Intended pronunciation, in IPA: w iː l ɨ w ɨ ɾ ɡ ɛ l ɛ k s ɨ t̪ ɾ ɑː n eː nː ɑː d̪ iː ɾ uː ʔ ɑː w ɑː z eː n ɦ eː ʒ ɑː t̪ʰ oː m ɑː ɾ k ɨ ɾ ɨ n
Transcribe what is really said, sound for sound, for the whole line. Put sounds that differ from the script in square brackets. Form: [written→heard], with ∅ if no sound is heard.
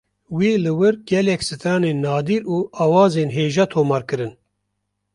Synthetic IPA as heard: w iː l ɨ w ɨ ɾ ɡ ɛ l ɛ k s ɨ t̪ ɾ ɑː n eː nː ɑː d̪ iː ɾ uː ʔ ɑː w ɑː z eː n ɦ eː ʒ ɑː t̪ʰ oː m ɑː ɾ k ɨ ɾ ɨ n